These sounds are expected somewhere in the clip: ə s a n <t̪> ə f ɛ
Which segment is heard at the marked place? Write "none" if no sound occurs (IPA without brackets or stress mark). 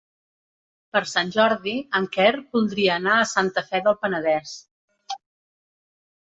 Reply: t̪